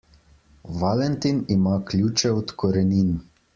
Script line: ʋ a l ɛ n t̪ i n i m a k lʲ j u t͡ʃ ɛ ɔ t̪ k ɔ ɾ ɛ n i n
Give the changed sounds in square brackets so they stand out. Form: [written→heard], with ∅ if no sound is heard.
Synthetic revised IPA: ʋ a l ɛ n t̪ i n i m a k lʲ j u t͡ʃ ɛ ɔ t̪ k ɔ ɾ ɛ n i n